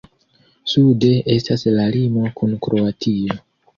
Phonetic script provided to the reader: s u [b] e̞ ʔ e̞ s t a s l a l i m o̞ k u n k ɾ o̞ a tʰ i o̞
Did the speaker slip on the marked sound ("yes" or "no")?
yes